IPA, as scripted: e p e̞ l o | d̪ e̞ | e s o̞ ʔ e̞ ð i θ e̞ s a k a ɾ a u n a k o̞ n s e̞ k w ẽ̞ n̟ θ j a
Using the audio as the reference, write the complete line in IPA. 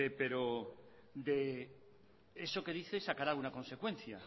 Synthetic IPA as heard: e p e̞ ɾ o | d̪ e̞ | e s o̞ k e̞ ð i θ e̞ s a k a ɾ a u n a k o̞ n s e̞ k w e̞ n̟ θ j a